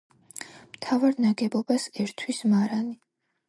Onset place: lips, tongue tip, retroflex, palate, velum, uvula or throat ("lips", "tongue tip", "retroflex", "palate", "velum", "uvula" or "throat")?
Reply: lips